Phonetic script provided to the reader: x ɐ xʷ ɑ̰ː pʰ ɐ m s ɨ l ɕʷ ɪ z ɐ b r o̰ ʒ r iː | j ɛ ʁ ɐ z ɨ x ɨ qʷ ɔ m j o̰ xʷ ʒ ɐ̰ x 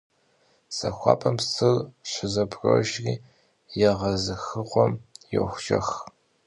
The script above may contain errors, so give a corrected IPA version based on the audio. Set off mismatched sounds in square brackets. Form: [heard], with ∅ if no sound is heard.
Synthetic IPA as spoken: [s] ɐ xʷ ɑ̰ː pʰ ɐ m s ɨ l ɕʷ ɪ z ɐ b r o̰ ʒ r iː | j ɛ ʁ ɐ z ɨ x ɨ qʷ ɔ m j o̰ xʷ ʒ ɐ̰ x